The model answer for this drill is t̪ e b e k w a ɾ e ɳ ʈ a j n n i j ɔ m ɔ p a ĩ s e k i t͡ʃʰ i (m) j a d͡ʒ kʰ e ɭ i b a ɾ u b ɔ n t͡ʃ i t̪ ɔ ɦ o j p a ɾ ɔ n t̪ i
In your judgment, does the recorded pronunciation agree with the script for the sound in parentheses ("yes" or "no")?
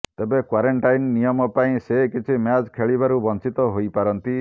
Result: yes